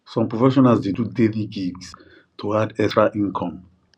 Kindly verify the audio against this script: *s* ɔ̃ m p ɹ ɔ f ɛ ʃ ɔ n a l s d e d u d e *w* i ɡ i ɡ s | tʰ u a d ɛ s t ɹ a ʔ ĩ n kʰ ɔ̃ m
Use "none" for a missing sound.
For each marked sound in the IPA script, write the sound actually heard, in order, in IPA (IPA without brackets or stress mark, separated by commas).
s, v